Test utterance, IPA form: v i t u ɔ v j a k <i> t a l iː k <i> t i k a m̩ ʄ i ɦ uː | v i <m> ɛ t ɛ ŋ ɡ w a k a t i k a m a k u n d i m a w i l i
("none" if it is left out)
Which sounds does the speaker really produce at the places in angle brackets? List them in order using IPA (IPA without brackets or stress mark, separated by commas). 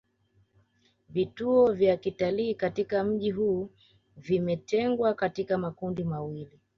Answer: i, a, m